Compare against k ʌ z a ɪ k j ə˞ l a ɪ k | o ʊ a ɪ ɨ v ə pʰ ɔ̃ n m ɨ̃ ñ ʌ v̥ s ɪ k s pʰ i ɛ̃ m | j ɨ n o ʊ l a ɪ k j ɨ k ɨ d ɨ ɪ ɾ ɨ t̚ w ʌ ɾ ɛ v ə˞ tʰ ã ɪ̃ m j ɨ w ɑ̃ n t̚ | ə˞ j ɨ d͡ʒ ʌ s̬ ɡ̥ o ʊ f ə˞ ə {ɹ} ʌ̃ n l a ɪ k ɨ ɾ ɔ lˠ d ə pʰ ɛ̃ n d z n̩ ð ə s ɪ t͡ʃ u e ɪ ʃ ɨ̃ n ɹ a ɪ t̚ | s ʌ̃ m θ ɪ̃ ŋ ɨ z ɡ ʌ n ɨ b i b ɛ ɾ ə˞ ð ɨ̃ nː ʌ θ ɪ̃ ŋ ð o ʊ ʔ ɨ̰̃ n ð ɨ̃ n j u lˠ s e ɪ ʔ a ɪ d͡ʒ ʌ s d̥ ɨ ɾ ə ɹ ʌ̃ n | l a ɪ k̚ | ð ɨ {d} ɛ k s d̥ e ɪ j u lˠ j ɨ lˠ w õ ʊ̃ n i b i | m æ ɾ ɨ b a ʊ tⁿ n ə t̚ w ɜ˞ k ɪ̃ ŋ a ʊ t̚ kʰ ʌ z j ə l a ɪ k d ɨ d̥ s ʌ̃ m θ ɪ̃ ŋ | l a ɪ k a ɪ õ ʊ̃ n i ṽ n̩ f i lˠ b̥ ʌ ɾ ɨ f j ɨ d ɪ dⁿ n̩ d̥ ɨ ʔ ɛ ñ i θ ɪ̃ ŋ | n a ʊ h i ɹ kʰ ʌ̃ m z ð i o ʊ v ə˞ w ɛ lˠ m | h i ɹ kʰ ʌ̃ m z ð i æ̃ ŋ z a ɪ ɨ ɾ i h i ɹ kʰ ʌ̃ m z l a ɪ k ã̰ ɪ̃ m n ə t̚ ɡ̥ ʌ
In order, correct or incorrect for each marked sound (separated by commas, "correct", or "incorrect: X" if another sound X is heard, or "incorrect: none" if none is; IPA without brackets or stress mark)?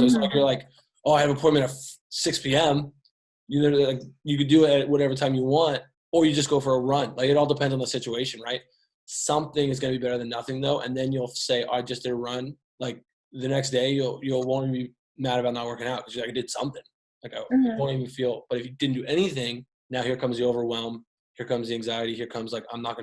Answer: correct, incorrect: n